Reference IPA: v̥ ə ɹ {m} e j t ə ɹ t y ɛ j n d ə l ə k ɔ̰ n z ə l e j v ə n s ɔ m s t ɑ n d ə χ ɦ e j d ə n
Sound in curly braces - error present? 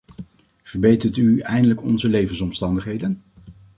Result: yes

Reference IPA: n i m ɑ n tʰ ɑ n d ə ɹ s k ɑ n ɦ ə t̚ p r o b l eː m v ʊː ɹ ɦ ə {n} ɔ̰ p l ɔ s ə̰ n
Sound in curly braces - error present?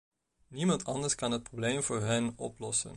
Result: no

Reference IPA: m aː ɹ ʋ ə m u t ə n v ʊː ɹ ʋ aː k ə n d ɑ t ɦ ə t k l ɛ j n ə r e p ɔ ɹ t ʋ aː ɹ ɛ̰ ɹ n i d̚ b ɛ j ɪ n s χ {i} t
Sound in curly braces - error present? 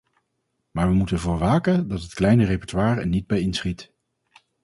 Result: no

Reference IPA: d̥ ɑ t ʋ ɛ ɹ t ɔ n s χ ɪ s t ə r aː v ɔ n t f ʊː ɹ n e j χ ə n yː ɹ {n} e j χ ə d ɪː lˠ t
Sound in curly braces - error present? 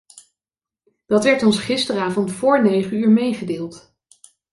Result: yes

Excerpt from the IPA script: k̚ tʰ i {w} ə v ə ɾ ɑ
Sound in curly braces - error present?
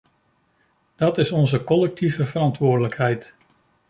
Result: yes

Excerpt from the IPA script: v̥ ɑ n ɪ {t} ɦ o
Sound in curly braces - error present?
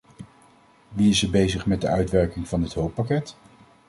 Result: no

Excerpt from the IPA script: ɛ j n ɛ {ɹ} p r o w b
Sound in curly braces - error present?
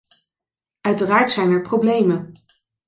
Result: no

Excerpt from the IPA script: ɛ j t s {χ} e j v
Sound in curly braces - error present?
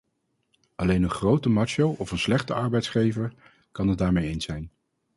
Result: no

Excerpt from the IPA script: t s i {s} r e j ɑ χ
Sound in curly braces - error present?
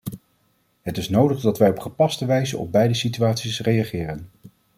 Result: no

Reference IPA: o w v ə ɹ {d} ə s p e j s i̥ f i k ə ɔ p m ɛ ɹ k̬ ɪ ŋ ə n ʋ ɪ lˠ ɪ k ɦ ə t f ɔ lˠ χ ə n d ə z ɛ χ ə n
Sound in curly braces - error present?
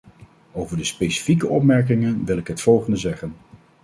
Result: no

